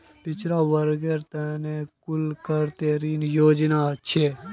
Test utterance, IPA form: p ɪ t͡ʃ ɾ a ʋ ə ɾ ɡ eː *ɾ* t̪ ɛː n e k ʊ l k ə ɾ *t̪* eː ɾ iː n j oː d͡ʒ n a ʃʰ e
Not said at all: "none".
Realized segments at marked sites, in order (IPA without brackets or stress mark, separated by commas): ɾ, t̪